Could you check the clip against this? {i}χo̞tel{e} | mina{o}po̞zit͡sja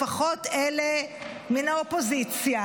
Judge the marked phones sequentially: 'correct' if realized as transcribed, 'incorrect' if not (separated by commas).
incorrect, correct, correct